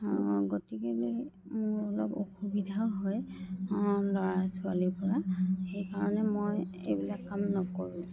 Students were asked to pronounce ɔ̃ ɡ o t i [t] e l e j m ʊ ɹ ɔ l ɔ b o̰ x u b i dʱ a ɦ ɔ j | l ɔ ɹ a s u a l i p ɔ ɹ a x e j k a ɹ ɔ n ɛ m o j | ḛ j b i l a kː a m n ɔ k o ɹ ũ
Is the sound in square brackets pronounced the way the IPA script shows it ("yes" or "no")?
no